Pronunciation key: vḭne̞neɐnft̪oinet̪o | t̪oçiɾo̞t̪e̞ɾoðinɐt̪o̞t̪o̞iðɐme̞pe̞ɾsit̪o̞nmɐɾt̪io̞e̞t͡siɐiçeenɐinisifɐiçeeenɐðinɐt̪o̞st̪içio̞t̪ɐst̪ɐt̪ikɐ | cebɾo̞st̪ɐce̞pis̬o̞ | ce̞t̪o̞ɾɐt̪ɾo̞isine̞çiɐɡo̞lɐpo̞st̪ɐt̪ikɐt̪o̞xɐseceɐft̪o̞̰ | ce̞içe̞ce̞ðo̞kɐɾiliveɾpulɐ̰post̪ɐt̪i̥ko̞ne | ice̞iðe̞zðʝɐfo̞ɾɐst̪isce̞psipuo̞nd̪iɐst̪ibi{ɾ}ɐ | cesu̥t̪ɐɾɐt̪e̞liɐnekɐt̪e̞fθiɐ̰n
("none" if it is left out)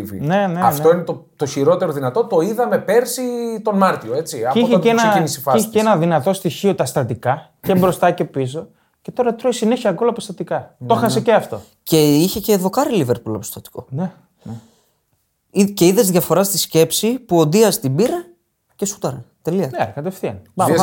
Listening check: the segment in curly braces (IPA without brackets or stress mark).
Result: ɾ